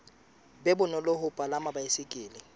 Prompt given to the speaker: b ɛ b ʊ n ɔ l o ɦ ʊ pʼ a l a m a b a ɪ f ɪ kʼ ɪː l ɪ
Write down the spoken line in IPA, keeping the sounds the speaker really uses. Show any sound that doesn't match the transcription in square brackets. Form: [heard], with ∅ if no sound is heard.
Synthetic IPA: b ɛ b ʊ n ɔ l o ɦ ʊ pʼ a l a m a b a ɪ [s] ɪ kʼ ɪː l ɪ